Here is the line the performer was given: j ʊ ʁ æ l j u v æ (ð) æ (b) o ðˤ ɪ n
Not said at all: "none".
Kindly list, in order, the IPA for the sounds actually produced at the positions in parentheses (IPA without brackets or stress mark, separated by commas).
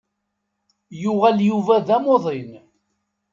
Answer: ð, m